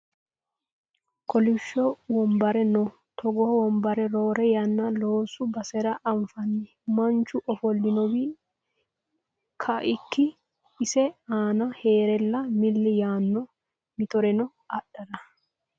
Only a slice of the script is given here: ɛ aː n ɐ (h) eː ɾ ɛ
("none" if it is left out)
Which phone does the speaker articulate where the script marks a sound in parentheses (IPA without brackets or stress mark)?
h